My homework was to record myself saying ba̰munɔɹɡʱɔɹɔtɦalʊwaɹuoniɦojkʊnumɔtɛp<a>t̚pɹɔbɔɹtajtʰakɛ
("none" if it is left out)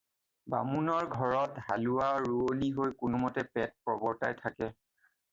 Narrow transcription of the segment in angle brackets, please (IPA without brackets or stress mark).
ɛ